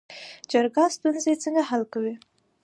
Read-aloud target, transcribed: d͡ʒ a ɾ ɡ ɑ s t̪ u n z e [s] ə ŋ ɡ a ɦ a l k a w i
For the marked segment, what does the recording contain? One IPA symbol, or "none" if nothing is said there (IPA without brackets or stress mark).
t͡s